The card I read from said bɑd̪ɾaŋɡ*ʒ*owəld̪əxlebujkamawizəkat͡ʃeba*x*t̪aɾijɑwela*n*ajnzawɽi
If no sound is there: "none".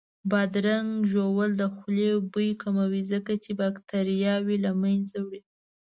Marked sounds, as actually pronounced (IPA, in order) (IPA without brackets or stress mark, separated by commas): ʒ, k, m